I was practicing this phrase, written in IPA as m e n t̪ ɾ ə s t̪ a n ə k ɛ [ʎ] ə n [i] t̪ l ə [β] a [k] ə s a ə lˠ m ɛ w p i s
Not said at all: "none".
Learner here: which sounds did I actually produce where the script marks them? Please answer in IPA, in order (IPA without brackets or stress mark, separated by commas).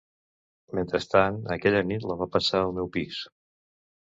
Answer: ʎ, i, β, p